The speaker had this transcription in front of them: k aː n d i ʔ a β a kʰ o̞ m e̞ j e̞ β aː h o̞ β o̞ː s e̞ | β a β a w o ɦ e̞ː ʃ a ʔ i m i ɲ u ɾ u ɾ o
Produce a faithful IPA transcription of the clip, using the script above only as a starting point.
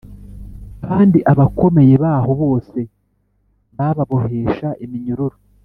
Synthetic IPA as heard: k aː n d i ʔ a β a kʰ o̞ m e̞ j e̞ β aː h o̞ β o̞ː s e̞ | β a β a β o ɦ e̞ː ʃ a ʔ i m i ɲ u ɾ u ɾ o